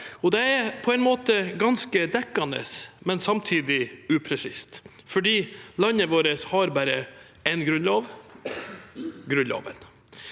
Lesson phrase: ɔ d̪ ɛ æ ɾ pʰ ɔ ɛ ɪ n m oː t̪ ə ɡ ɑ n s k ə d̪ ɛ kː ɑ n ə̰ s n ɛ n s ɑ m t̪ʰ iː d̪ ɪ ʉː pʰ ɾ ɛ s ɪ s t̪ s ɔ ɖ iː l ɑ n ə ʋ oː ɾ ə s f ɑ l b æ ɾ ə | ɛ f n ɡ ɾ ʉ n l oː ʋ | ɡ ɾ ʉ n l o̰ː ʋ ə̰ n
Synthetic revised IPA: ɔ d̪ ɛ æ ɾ pʰ ɔ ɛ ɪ n m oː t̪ ə ɡ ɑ n s k ə d̪ ɛ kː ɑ n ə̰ s m ɛ n s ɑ m t̪ʰ iː d̪ ɪ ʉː pʰ ɾ ɛ s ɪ s t̪ f ɔ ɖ iː l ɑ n ə ʋ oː ɾ ə s h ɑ ɾ b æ ɾ ə | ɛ n ɡ ɾ ʉ n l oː ʋ | ɡ ɾ ʉ n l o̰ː ʋ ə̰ n